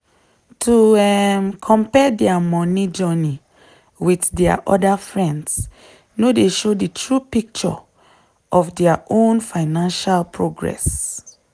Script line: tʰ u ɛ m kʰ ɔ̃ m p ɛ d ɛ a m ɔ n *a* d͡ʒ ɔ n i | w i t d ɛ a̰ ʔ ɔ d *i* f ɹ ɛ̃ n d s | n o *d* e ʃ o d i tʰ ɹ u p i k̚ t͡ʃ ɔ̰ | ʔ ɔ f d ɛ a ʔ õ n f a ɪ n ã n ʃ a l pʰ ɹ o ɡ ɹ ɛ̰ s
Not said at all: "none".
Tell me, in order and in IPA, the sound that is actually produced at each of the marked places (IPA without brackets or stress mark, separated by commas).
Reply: i, a, d